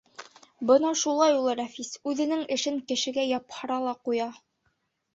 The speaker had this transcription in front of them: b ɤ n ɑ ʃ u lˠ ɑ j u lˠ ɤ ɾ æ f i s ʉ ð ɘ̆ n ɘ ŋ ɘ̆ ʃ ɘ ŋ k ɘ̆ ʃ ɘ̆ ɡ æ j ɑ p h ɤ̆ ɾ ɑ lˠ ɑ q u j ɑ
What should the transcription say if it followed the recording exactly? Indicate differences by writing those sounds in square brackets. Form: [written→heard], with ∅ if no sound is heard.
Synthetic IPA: b ɤ n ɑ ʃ u lˠ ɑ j u lˠ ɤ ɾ æ f i s ʉ ð ɘ̆ n ɘ ŋ ɘ̆ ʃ ɘ ŋ k ɘ̆ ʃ ɘ̆ ɡ æ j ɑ p h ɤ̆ ɾ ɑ lˠ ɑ q u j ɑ

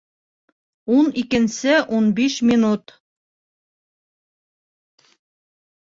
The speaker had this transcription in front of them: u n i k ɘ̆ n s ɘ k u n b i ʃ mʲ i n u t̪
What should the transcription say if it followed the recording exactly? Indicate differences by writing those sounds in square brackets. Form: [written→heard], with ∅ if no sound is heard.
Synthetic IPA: u n i k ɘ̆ n s ɘ [k→ʔ] u n b i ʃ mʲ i n u t̪

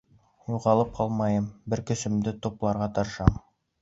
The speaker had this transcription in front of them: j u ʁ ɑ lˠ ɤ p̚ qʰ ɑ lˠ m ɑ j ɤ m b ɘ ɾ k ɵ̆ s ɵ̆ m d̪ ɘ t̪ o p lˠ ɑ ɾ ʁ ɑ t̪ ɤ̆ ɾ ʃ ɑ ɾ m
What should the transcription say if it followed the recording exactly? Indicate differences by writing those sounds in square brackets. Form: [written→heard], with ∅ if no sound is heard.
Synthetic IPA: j u ʁ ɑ lˠ ɤ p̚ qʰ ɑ lˠ m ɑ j ɤ m b ɘ ɾ k ɵ̆ s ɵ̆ m d̪ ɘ t̪ o p lˠ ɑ ɾ ʁ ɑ t̪ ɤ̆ ɾ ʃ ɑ [ɾ→∅] m

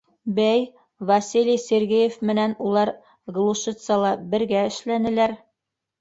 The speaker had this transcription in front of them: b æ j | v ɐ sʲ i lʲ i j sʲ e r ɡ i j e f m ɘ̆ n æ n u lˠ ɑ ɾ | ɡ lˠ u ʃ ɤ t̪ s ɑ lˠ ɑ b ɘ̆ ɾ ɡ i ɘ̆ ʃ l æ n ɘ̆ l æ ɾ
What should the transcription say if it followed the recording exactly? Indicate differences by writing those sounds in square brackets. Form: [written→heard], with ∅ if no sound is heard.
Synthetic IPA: b æ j | v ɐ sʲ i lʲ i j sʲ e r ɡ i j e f m ɘ̆ n æ n u lˠ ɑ ɾ | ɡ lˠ u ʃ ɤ t̪ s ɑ lˠ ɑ b ɘ̆ ɾ ɡ [i→æ] ɘ̆ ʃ l æ n ɘ̆ l æ ɾ

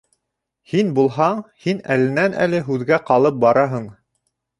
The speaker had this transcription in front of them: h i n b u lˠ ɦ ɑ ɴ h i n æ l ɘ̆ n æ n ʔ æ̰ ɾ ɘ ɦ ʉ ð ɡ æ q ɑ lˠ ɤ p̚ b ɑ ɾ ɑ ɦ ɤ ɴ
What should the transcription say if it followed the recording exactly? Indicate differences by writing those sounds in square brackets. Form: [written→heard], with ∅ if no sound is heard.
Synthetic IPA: h i n b u lˠ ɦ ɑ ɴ h i n æ l ɘ̆ n æ n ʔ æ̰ [ɾ→l] ɘ ɦ ʉ ð ɡ æ q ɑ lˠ ɤ p̚ b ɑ ɾ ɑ ɦ ɤ ɴ

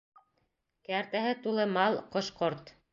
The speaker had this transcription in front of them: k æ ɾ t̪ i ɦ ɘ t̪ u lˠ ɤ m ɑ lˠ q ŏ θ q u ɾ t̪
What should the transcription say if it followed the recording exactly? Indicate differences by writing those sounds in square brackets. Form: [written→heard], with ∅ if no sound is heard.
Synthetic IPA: k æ ɾ t̪ [i→æ] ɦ ɘ t̪ u lˠ ɤ m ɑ lˠ q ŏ [θ→ʃ] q [u→o] ɾ t̪

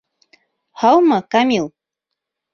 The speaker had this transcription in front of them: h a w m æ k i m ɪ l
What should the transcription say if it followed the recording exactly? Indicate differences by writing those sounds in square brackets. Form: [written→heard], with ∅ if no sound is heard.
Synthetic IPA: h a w m [æ→a] k [i→a] m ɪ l

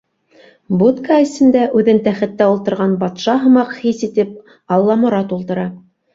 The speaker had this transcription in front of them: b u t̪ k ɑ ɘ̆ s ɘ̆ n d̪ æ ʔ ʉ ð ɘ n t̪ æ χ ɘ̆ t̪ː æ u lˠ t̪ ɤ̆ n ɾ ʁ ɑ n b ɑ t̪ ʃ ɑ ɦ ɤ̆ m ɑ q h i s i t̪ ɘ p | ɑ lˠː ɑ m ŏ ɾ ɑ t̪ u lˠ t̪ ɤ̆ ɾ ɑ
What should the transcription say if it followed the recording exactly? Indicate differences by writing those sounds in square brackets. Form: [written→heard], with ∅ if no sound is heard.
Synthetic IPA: b u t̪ k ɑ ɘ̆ s ɘ̆ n d̪ æ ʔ ʉ ð ɘ n t̪ æ χ ɘ̆ t̪ː æ u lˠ t̪ ɤ̆ [n→∅] ɾ ʁ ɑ n b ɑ t̪ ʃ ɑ ɦ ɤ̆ m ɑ q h i s i t̪ ɘ p | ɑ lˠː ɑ m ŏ ɾ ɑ t̪ u lˠ t̪ ɤ̆ ɾ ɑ

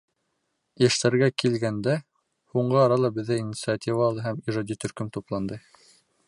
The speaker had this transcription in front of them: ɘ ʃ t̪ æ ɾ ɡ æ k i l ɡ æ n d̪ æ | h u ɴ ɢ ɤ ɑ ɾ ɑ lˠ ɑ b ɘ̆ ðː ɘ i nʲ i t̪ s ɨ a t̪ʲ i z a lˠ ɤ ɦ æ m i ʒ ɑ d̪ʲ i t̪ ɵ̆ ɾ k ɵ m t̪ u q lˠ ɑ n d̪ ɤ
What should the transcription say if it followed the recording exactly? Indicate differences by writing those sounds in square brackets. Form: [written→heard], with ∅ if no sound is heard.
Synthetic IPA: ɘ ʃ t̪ æ ɾ ɡ æ k i l ɡ æ n d̪ æ | h u ɴ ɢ ɤ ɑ ɾ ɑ lˠ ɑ b ɘ̆ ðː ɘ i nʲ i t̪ s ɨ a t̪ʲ i [z→v] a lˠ ɤ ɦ æ m i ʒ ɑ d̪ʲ i t̪ ɵ̆ ɾ k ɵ m t̪ u [q→p] lˠ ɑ n d̪ ɤ

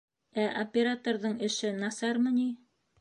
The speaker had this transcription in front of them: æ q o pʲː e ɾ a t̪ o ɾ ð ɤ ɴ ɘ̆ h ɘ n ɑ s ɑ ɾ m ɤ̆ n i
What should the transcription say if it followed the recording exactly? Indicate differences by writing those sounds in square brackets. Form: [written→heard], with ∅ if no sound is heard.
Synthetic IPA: æ [q→ʔ] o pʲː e ɾ a t̪ o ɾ ð ɤ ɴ ɘ̆ [h→ʃ] ɘ n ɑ s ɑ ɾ m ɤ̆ n i

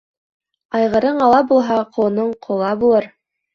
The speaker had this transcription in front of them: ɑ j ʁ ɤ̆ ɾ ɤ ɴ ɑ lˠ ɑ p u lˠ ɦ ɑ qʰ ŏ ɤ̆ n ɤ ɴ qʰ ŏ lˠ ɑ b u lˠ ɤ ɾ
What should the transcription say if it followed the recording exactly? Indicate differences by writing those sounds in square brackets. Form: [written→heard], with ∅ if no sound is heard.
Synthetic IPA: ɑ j ʁ ɤ̆ ɾ ɤ ɴ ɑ lˠ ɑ [p→b] u lˠ ɦ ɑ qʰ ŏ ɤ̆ n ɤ ɴ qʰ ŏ lˠ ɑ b u lˠ ɤ ɾ

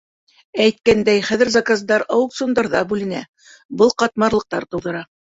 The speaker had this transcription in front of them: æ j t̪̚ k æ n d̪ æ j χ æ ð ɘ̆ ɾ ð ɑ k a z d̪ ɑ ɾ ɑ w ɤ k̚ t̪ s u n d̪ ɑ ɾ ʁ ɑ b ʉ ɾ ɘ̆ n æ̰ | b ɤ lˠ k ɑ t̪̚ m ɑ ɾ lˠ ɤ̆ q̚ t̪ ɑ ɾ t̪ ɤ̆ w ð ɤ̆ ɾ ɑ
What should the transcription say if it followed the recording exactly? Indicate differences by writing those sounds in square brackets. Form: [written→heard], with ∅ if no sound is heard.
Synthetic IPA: æ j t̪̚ k æ n d̪ æ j χ æ ð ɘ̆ ɾ [ð→z] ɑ k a z d̪ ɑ ɾ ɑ w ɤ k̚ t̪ s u n d̪ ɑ ɾ [ʁ→ð] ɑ b ʉ [ɾ→l] ɘ̆ n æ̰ | b ɤ lˠ [k→q] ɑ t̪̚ m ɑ ɾ lˠ ɤ̆ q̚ t̪ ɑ ɾ t̪ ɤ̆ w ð ɤ̆ ɾ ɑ

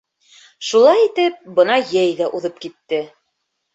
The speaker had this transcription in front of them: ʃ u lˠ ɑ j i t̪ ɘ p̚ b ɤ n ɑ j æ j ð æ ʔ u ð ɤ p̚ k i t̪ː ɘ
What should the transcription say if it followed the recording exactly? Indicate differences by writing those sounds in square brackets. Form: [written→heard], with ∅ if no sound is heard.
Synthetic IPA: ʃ u lˠ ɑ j i t̪ ɘ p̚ b ɤ n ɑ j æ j ð æ ʔ u ð ɤ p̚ k i t̪ː ɘ

